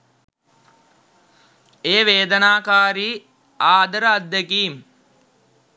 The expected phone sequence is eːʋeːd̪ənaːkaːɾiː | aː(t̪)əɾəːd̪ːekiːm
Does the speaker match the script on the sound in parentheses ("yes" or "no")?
no